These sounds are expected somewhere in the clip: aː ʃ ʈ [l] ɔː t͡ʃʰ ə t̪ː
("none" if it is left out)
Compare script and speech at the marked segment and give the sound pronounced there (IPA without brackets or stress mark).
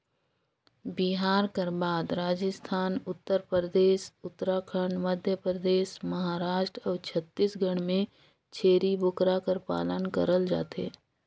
ɾ